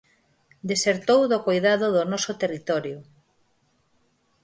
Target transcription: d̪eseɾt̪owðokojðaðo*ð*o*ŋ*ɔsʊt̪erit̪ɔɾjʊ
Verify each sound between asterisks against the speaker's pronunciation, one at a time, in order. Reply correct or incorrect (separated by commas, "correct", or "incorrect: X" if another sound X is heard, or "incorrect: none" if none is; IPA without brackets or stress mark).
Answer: correct, incorrect: n